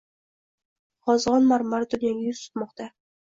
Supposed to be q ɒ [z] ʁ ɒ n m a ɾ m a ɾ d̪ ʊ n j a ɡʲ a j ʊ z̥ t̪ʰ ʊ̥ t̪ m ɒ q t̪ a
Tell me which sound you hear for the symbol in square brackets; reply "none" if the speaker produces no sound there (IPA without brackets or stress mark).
z